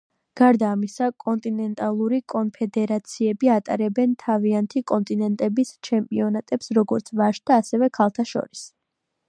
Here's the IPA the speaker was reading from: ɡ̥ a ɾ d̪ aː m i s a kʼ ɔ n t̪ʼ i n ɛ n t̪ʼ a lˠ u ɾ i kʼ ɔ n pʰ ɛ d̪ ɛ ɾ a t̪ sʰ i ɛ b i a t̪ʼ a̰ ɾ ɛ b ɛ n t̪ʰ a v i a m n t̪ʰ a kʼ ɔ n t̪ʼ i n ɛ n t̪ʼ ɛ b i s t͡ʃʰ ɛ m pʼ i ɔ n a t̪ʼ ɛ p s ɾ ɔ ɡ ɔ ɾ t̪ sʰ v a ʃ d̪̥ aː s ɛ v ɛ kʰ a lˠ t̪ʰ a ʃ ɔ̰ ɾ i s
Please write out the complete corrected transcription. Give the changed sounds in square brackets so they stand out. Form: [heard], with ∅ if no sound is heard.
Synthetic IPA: ɡ̥ a ɾ d̪ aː m i s a kʼ ɔ n t̪ʼ i n ɛ n t̪ʼ a lˠ u ɾ i kʼ ɔ n pʰ ɛ d̪ ɛ ɾ a t̪ sʰ i ɛ b i a t̪ʼ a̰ ɾ ɛ b ɛ n t̪ʰ a v i a [∅] n t̪ʰ [i] kʼ ɔ n t̪ʼ i n ɛ n t̪ʼ ɛ b i s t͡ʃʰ ɛ m pʼ i ɔ n a t̪ʼ ɛ p s ɾ ɔ ɡ ɔ ɾ t̪ sʰ v a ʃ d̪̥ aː s ɛ v ɛ kʰ a lˠ t̪ʰ a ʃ ɔ̰ ɾ i s